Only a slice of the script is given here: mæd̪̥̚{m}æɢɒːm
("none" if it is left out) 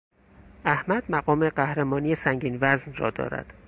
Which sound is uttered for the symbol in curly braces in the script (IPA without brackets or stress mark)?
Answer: m